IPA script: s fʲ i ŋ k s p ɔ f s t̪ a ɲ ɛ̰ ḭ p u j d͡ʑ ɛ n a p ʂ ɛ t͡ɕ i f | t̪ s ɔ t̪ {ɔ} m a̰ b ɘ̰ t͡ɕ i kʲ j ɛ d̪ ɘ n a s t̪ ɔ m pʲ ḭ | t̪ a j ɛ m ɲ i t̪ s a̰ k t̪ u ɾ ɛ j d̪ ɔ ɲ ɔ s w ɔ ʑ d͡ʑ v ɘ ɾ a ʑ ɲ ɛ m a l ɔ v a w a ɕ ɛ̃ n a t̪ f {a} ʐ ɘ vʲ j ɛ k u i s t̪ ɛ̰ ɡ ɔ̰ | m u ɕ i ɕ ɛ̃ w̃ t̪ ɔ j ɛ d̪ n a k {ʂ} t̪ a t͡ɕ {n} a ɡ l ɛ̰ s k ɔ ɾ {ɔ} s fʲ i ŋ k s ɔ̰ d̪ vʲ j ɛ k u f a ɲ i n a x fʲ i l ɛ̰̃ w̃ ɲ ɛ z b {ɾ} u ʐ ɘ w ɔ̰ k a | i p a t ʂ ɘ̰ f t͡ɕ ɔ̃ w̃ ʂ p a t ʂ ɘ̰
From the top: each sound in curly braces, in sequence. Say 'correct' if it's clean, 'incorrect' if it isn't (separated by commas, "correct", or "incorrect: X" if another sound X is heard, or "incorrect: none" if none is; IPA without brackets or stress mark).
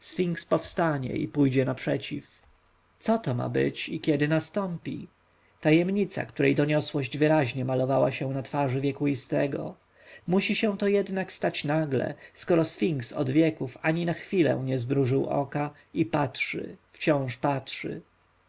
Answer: correct, correct, incorrect: s, correct, correct, correct